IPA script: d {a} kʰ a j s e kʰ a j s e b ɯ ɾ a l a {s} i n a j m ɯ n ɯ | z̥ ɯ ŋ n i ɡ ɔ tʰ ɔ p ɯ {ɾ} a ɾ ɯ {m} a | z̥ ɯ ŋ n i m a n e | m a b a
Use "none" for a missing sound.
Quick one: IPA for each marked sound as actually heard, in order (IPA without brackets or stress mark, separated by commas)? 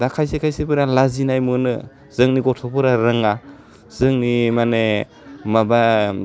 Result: a, z, ɾ, ŋ